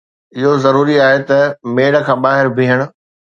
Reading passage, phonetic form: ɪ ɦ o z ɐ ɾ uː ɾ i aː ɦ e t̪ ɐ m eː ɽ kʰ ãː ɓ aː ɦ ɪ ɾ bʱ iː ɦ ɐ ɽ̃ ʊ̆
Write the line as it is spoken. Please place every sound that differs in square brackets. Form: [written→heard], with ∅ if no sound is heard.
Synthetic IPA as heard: ɪ ɦ o z ɐ ɾ uː ɾ i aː ɦ e t̪ ɐ m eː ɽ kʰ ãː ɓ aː ɦ ɪ ɾ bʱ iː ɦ [ɐ→ə] ɽ̃ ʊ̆